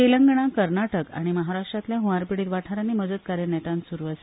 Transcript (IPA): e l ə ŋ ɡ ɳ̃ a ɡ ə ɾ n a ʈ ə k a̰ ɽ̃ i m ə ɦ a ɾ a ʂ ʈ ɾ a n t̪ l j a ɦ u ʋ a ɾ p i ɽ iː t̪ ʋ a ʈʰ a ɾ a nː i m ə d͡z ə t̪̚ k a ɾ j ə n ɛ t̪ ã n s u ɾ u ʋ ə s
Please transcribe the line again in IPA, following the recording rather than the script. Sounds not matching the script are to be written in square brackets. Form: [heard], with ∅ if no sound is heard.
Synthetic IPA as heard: e l ə ŋ ɡ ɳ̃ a [k] ə ɾ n a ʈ ə k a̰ ɽ̃ i m ə ɦ a ɾ a ʂ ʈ ɾ a [∅] t̪ l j a ɦ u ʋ a ɾ p i ɽ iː t̪ ʋ a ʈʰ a ɾ a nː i m ə d͡z ə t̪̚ k a ɾ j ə n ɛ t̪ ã n s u ɾ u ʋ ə s